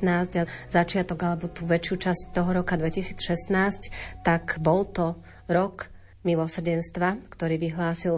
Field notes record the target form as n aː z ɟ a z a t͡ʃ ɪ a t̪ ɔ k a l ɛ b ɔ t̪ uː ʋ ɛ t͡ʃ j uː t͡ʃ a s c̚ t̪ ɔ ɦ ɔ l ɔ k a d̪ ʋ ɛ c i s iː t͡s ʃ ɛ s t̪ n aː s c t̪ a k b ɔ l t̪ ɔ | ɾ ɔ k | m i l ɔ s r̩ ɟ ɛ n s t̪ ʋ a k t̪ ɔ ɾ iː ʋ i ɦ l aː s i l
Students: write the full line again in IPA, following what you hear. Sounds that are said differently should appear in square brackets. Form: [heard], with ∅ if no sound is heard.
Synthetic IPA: n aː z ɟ a z a t͡ʃ ɪ a t̪ ɔ [ɡ] a l ɛ b ɔ t̪ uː ʋ ɛ t͡ʃ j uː t͡ʃ a s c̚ t̪ ɔ ɦ ɔ [ɾ] ɔ k a d̪ ʋ ɛ c i s iː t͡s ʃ ɛ s t̪ n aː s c t̪ a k b ɔ l t̪ ɔ | ɾ ɔ k | m i l ɔ s r̩ ɟ ɛ n s t̪ ʋ a k t̪ ɔ ɾ iː ʋ i ɦ l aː s i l